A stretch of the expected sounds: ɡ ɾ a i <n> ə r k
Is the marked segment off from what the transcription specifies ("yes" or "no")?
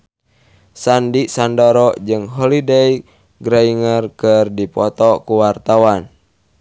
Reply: yes